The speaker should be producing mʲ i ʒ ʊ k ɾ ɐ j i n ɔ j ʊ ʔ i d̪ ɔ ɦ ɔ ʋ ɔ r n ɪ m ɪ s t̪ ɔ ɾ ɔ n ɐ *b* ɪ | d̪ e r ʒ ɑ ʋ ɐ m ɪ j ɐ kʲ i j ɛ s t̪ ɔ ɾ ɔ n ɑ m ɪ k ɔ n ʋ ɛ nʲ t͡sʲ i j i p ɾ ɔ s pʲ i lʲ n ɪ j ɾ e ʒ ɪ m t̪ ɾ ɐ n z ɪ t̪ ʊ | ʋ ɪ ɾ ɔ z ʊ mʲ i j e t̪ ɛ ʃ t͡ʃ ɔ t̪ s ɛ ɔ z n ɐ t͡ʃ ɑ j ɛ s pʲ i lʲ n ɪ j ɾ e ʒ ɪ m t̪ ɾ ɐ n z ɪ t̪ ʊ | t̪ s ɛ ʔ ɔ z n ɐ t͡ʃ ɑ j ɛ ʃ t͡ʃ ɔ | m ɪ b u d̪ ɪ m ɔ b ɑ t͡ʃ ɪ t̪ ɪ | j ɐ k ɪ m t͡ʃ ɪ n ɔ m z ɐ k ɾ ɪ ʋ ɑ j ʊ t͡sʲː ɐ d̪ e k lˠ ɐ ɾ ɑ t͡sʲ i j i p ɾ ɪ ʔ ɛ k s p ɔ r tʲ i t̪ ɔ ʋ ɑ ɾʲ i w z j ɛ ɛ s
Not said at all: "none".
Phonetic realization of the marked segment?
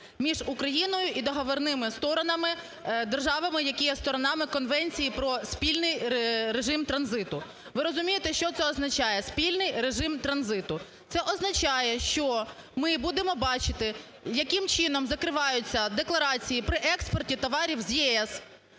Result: m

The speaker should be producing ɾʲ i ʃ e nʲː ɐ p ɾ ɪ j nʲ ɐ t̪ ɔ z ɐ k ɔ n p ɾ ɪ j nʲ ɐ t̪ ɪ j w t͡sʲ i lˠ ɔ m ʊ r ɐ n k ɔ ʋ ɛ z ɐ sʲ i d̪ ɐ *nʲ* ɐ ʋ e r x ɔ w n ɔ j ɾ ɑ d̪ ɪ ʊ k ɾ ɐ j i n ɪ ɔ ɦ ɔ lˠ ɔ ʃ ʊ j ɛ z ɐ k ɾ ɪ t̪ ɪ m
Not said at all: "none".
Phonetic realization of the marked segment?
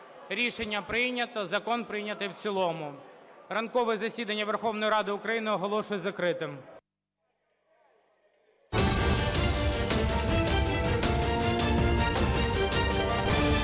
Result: nʲː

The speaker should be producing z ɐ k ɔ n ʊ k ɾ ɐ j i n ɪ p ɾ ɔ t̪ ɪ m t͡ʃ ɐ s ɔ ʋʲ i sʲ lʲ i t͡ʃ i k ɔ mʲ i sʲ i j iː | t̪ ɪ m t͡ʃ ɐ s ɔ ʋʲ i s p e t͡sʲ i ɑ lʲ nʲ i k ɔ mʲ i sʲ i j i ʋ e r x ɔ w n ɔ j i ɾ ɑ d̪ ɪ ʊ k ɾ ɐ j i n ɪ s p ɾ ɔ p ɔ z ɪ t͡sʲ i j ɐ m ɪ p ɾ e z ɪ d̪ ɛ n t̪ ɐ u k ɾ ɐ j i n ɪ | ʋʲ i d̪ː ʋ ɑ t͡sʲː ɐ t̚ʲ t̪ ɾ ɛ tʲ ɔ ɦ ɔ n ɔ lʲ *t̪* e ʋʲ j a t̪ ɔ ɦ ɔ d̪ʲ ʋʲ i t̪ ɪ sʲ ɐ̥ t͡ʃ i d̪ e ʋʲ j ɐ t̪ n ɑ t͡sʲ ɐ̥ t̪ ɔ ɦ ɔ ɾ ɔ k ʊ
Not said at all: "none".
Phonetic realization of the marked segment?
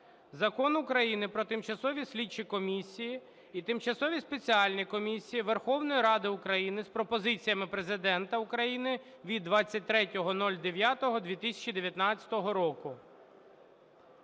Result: d̪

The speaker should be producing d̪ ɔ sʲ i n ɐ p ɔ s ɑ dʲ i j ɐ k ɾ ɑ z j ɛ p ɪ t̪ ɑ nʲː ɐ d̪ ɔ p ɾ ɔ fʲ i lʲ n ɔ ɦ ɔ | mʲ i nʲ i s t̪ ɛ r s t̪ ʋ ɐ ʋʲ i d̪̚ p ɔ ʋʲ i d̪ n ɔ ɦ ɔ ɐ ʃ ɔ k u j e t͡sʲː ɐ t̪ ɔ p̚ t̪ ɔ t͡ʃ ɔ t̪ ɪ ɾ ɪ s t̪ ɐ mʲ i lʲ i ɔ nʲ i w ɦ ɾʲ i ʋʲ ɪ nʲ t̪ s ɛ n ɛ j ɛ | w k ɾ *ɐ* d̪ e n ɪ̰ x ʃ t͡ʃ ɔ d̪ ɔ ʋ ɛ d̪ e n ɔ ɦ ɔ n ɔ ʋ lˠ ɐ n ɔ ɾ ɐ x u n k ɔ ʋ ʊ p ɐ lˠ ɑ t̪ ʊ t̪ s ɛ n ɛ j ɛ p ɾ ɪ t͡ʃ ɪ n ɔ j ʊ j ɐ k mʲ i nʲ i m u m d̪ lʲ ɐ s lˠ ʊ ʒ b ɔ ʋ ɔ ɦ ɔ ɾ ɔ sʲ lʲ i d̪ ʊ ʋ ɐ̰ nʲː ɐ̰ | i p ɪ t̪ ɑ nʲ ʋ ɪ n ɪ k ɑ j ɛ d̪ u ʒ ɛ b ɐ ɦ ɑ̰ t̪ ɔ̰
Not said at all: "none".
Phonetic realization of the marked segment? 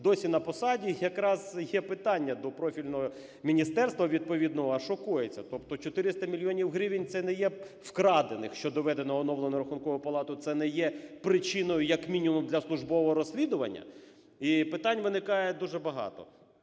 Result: ɑ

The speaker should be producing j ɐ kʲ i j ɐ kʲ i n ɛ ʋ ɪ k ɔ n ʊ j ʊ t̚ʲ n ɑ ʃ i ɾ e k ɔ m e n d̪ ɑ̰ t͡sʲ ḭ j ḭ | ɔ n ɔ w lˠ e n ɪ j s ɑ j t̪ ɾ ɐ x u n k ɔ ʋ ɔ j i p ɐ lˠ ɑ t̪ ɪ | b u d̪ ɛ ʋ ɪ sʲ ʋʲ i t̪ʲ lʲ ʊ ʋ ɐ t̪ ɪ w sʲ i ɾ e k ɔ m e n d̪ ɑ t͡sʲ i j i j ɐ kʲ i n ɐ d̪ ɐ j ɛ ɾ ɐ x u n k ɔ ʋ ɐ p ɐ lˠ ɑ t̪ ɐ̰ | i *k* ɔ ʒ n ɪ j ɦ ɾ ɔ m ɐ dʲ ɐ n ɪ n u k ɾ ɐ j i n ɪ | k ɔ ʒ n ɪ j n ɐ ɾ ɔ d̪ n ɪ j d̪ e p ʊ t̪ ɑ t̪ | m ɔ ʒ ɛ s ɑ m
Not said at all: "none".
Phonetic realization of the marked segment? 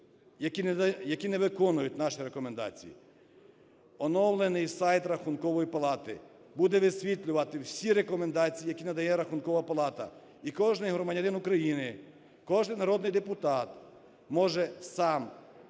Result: k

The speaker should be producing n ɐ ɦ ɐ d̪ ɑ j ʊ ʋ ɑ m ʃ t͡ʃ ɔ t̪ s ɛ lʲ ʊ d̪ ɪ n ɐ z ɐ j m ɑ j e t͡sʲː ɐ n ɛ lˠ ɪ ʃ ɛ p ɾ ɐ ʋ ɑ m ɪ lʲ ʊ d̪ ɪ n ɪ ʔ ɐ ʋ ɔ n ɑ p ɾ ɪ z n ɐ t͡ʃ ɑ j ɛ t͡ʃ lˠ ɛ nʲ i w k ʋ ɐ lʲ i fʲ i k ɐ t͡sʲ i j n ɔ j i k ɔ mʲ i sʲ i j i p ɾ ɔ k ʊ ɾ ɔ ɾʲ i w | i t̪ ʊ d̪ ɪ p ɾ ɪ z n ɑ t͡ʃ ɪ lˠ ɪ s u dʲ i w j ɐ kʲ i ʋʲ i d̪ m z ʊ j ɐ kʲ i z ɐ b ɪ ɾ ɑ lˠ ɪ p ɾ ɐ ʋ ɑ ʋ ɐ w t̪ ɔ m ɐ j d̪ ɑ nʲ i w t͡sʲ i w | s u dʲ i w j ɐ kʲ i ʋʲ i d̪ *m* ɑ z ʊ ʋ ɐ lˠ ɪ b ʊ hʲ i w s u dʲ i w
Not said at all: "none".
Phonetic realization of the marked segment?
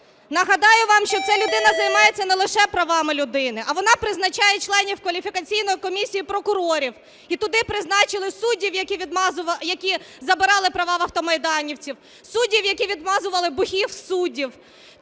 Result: m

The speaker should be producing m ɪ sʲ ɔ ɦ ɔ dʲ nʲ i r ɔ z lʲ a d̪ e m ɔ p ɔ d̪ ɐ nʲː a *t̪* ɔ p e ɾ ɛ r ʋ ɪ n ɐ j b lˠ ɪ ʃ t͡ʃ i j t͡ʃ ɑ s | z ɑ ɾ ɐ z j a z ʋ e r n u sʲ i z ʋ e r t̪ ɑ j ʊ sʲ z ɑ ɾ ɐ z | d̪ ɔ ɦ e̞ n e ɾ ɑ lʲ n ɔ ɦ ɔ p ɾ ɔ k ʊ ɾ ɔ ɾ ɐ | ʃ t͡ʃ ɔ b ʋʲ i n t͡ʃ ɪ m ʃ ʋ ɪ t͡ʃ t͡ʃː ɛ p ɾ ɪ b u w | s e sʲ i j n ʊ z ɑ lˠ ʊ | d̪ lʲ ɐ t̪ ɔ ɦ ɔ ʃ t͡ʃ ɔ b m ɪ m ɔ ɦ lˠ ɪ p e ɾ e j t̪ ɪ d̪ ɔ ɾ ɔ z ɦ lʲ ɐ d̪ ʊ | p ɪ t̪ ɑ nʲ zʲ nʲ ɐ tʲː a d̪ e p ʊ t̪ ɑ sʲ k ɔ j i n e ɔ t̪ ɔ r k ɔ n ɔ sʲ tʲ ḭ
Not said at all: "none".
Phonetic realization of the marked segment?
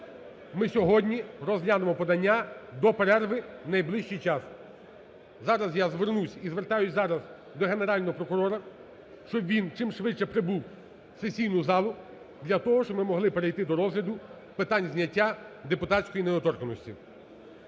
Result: d̪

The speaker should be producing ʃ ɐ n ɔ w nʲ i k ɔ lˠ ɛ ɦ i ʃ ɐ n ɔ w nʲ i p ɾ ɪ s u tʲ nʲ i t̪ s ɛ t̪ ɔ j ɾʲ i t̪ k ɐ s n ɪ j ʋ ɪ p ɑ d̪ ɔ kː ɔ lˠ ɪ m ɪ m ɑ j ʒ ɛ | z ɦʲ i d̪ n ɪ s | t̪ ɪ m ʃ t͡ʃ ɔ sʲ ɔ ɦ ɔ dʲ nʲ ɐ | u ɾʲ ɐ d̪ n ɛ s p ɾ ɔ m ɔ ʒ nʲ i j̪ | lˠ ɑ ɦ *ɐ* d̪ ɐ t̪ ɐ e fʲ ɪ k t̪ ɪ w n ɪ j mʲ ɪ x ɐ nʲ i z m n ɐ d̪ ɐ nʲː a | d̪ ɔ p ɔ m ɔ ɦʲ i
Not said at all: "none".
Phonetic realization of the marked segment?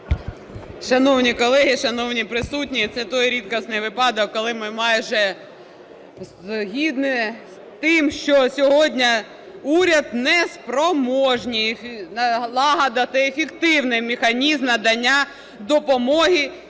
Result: ɐ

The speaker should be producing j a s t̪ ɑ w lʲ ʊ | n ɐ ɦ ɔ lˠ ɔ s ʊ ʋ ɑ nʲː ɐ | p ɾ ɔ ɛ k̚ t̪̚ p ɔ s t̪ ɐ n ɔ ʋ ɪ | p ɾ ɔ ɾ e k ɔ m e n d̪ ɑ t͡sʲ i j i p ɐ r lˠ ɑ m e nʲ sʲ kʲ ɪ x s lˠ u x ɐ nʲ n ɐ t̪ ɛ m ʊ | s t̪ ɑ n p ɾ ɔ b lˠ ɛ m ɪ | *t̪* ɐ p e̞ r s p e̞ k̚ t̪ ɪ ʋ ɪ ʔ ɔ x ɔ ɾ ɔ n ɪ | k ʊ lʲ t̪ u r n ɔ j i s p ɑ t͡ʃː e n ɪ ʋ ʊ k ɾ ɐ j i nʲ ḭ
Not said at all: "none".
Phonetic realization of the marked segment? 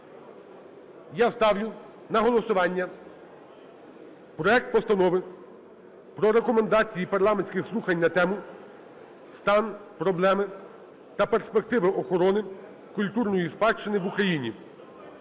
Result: t̪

